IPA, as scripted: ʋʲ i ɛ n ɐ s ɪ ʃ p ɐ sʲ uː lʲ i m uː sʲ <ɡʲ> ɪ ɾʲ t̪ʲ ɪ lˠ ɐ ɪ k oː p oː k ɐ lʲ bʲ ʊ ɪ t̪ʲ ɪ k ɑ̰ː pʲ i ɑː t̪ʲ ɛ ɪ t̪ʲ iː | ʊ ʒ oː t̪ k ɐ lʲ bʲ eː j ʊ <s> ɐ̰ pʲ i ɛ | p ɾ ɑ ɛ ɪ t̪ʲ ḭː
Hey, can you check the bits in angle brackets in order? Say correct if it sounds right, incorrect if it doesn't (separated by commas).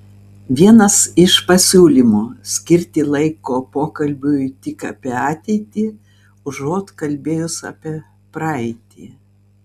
incorrect, correct